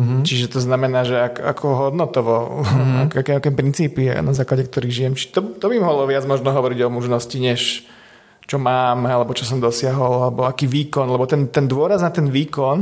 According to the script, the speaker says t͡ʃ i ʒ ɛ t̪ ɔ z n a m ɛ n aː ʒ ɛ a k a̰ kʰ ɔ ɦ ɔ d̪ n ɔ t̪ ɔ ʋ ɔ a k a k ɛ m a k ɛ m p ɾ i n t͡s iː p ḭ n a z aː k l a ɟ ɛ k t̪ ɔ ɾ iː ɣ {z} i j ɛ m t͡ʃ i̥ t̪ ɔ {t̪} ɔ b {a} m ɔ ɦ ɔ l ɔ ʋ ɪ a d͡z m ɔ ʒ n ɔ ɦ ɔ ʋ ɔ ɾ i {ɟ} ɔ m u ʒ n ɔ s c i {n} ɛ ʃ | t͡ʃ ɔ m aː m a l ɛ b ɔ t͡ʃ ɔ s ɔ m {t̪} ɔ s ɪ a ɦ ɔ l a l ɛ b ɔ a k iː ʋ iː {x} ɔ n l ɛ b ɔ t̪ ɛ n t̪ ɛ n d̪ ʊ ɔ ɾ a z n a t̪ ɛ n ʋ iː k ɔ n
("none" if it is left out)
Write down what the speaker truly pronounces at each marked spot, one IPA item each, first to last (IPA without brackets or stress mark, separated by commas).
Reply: ʒ, t̪, i, ɟ, ɲ, d̪, k